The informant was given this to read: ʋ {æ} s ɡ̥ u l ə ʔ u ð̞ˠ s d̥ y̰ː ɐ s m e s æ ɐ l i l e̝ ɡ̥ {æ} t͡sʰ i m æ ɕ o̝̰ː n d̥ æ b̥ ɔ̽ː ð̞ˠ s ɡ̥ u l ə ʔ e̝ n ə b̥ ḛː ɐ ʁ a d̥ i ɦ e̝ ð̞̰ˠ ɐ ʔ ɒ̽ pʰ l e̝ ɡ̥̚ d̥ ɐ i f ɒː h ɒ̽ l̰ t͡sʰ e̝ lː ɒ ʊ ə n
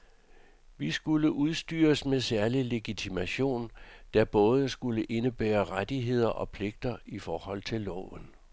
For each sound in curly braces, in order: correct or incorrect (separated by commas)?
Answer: incorrect, incorrect